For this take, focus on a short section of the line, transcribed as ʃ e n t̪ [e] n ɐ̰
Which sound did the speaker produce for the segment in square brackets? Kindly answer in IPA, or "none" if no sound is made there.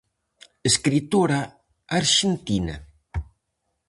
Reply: i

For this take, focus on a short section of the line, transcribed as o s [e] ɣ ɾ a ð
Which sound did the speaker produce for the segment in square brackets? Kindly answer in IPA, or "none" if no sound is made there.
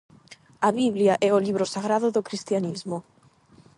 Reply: a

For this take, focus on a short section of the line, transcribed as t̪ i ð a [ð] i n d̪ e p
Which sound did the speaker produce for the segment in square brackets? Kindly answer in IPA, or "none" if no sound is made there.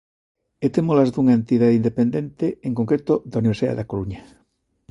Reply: ð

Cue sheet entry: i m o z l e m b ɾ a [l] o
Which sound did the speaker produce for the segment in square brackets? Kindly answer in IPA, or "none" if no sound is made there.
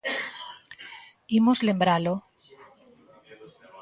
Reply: l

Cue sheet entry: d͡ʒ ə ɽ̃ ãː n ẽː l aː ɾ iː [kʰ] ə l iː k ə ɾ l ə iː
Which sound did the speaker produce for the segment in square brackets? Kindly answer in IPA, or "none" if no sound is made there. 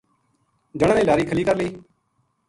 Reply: kʰ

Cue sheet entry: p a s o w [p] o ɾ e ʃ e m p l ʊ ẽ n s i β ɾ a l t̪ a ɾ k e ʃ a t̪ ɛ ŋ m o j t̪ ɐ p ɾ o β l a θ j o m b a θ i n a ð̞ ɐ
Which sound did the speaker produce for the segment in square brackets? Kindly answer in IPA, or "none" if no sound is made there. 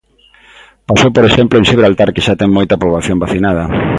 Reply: p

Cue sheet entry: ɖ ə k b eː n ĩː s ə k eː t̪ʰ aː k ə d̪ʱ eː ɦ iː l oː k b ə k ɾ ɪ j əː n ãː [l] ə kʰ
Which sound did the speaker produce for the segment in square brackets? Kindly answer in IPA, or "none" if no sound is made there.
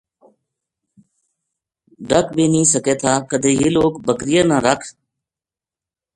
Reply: ɾ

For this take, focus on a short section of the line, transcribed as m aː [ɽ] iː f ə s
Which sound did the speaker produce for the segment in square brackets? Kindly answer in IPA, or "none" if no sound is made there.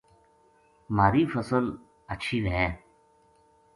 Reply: ɾ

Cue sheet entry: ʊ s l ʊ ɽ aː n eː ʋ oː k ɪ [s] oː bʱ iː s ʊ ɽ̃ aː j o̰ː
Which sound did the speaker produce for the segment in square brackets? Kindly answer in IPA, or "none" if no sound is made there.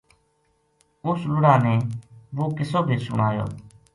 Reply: s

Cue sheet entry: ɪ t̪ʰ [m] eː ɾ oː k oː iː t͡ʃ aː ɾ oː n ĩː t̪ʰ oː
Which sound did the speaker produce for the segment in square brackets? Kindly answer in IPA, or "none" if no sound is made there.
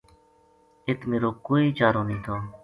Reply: m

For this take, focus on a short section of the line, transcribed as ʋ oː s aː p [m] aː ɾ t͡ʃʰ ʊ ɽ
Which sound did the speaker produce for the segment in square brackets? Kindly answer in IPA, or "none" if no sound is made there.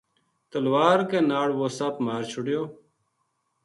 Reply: m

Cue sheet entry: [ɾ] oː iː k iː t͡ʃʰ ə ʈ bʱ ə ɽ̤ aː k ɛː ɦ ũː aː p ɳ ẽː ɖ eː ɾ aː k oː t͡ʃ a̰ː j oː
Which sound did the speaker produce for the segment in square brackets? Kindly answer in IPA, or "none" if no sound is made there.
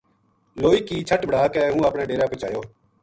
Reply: l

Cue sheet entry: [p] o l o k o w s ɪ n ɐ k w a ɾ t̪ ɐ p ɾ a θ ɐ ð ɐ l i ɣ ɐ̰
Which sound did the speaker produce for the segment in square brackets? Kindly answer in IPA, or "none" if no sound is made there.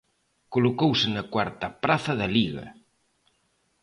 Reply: k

